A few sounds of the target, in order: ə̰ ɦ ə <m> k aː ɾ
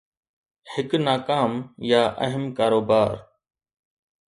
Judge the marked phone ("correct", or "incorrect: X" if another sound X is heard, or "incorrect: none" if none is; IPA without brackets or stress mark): correct